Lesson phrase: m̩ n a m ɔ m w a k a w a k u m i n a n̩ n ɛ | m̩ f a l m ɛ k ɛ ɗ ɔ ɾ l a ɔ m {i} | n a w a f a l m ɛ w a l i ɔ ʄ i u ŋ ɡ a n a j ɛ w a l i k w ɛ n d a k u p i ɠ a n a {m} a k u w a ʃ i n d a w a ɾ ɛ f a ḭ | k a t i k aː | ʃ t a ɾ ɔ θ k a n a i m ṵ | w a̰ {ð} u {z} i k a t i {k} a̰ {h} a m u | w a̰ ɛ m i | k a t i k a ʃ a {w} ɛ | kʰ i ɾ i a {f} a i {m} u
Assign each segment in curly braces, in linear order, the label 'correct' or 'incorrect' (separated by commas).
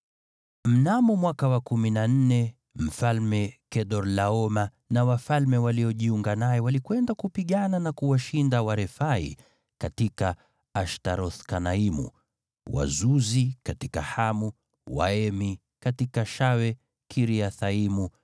incorrect, incorrect, incorrect, correct, correct, correct, correct, incorrect, correct